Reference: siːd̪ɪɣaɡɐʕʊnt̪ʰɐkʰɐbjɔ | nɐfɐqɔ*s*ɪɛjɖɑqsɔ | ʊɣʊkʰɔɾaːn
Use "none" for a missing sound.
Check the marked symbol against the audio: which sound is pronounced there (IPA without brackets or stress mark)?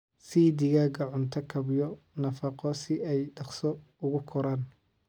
s